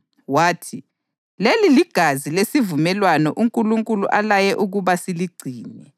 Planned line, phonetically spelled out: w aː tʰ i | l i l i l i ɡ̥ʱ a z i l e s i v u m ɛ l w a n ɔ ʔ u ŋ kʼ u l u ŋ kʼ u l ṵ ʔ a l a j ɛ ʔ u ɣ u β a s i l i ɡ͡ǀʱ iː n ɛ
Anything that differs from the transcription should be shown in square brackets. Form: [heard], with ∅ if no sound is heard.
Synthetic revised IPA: w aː tʰ i | l [e] l i l i ɡ̥ʱ a z i l e s i v u m ɛ l w a n ɔ ʔ u ŋ kʼ u l u ŋ kʼ u l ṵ ʔ a l a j ɛ ʔ u ɣ u β a s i l i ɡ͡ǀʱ iː n ɛ